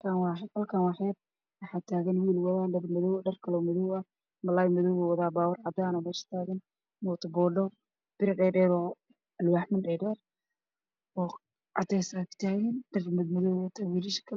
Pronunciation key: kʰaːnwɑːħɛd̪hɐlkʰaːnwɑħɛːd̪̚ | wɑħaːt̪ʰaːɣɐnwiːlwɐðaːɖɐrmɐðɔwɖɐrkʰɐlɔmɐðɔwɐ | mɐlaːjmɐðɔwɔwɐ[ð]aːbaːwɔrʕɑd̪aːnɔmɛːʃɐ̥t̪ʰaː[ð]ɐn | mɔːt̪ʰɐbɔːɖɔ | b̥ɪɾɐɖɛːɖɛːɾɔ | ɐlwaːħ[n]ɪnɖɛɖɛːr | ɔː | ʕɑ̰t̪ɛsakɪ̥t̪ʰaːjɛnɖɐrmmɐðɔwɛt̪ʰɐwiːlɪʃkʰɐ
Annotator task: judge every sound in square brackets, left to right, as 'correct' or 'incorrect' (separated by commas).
correct, incorrect, incorrect